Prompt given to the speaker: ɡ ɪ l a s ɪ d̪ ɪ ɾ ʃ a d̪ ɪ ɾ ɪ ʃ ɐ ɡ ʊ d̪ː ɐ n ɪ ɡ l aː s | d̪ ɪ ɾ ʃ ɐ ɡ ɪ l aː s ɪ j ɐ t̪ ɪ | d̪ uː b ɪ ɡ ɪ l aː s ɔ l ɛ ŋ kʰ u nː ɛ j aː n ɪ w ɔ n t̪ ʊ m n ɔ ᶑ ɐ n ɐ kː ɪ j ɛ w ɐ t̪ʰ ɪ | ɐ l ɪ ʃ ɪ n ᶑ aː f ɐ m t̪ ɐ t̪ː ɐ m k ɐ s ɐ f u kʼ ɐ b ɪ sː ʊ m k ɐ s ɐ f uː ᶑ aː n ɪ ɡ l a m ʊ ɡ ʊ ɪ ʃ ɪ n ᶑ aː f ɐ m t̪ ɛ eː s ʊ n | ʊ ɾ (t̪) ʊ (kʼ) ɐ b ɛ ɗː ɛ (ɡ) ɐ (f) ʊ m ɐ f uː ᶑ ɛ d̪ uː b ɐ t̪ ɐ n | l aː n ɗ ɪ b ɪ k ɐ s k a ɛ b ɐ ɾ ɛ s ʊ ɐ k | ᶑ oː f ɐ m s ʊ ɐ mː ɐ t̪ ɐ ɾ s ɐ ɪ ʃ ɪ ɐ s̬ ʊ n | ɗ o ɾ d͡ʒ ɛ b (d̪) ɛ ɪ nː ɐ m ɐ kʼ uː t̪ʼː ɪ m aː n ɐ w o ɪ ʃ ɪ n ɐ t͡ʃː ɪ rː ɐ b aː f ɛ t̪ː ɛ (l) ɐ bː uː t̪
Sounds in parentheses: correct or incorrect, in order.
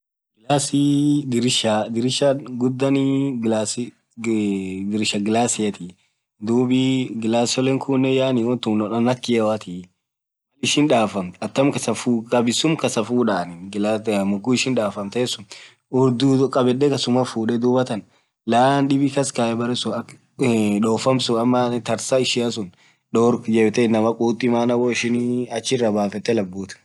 incorrect, correct, incorrect, incorrect, incorrect, correct

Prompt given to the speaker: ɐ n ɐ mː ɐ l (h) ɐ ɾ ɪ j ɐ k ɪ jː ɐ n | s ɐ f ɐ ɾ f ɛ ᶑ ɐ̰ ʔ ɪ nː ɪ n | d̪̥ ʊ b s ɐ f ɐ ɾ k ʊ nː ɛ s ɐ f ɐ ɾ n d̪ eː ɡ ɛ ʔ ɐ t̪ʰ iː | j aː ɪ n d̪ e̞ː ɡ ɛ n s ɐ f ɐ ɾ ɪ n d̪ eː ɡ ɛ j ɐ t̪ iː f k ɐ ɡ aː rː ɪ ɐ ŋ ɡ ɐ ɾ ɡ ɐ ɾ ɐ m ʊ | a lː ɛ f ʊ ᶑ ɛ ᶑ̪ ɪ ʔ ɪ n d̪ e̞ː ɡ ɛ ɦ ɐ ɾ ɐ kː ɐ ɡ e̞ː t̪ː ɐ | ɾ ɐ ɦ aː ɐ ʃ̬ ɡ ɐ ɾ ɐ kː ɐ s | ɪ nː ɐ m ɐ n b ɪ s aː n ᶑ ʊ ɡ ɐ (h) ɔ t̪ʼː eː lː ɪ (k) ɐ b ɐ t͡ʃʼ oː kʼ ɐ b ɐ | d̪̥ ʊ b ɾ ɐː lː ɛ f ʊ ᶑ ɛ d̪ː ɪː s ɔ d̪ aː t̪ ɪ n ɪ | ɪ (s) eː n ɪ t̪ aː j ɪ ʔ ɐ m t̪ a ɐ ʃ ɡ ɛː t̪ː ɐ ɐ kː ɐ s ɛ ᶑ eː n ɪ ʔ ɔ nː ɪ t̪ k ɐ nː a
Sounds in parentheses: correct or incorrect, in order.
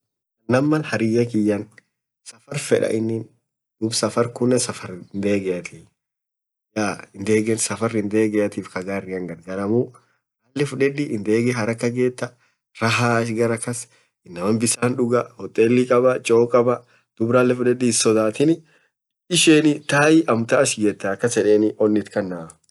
correct, correct, incorrect, incorrect

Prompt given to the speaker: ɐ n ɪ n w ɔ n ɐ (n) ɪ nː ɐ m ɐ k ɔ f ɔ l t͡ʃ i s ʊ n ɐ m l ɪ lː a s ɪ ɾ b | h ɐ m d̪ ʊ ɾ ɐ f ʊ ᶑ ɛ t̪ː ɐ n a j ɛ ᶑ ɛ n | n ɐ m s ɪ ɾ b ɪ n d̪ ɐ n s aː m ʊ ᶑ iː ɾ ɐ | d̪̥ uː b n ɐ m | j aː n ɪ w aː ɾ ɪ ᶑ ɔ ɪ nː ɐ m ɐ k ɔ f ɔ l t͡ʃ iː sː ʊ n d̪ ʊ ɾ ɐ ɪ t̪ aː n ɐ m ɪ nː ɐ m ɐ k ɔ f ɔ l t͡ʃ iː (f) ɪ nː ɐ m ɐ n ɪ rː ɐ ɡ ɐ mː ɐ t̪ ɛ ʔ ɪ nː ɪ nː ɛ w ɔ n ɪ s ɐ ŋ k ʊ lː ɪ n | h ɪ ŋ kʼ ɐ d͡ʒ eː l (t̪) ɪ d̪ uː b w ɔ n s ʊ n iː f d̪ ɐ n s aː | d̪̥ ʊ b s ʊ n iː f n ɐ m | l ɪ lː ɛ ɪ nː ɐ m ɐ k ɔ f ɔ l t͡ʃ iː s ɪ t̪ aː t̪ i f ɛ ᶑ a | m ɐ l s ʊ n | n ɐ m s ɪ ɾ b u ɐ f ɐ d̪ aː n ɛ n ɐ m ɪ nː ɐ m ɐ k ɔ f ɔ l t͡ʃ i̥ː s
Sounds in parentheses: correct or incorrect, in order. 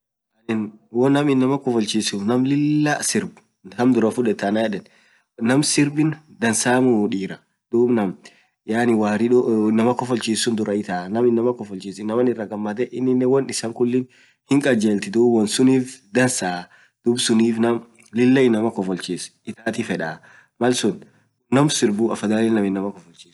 incorrect, incorrect, correct

